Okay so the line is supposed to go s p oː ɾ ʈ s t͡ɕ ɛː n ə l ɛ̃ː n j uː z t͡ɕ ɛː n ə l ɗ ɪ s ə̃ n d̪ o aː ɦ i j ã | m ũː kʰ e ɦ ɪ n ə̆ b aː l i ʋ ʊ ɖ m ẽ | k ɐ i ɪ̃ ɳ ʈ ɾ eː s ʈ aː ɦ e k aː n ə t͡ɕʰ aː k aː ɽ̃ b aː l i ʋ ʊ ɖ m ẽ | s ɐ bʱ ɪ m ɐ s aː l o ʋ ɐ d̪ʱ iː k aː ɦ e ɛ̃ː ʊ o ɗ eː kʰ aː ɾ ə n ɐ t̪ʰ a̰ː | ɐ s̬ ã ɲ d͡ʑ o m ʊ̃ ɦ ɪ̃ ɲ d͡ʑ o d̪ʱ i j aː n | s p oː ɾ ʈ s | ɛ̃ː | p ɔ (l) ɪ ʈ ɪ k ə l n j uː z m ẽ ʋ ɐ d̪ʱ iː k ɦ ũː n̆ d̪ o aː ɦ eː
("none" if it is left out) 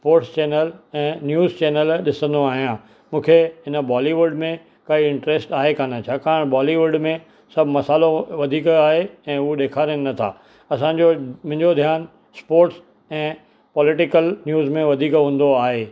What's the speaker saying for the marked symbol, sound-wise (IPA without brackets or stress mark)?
l